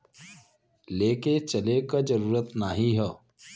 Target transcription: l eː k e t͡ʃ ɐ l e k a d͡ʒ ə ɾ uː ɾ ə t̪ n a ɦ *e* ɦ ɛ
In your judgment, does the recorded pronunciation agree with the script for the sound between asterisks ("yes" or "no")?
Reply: no